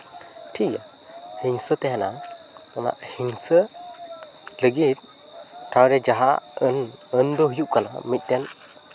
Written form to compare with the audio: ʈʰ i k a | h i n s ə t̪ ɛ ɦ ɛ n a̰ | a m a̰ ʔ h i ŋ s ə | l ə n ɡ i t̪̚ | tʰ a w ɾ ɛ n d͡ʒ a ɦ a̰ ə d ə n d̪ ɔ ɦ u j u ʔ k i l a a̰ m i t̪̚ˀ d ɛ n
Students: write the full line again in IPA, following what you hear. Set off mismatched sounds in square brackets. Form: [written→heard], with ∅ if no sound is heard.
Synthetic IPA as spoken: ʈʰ i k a | h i [n→ŋ] s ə t̪ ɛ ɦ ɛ n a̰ | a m a̰ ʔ h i ŋ s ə | l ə [n→∅] ɡ i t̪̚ | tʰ a w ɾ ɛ [n→∅] d͡ʒ a ɦ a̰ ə [d→n] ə n d̪ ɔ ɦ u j u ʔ k [i→a] l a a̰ m i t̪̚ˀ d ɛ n